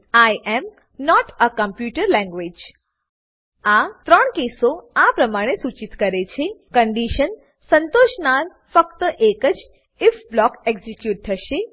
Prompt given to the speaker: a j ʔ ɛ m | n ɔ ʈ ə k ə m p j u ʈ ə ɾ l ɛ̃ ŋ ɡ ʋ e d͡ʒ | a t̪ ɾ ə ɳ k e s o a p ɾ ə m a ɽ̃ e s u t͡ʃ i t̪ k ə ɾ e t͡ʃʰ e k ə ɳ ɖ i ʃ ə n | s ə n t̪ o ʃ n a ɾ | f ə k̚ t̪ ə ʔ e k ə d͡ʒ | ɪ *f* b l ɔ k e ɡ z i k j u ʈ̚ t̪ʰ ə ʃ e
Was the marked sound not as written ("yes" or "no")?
no